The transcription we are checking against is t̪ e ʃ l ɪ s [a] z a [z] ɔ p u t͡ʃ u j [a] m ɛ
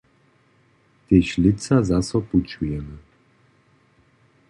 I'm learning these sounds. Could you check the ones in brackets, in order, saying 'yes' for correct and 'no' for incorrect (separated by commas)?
yes, no, no